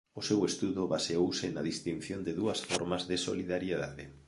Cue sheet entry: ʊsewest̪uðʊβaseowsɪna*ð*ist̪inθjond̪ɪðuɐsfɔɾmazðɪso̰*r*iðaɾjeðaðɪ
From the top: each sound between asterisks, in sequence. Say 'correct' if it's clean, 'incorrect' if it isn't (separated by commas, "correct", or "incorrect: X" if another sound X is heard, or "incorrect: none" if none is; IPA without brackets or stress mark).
correct, incorrect: l